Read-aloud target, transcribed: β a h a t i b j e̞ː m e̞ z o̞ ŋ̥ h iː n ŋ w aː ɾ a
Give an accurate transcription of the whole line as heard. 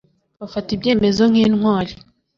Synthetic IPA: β a f a t i b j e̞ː m e̞ z o̞ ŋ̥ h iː n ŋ w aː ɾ i

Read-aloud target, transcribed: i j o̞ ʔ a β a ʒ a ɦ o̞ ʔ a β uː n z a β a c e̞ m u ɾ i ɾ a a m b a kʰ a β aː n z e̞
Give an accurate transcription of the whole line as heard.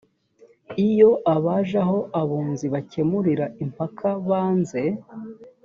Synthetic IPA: i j o̞ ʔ a β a ʒ a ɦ o̞ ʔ a β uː n z i β a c e̞ m u ɾ i ɾ a i m p a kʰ a β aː n z e̞

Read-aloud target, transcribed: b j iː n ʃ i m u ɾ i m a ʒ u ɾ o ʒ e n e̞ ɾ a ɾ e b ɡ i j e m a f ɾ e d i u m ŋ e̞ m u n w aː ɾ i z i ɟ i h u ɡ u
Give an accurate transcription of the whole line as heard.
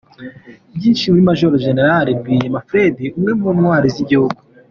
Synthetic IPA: b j iː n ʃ i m u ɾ i m a ʒ o ɾ o ʒ e n e̞ ɾ a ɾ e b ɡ i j e m a f ɾ e d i u m ŋ e̞ m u n w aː ɾ i z i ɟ i h u ɡ u

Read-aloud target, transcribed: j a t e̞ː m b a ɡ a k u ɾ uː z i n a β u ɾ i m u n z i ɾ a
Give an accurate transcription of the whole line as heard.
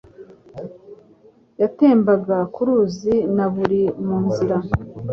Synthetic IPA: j a t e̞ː m b a ɡ a k u ɾ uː z i n a β u ɾ i m uː n z i ɾ a

